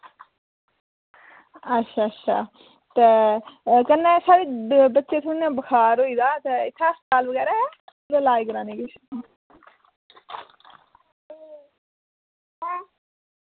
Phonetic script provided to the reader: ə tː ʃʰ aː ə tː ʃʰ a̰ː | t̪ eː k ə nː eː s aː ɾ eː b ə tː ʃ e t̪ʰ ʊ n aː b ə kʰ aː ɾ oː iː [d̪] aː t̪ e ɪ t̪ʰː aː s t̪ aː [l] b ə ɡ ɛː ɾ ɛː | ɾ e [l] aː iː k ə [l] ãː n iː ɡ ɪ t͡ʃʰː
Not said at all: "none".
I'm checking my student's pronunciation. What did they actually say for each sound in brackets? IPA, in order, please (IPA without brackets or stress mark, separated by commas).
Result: d̪, l, l, ɾ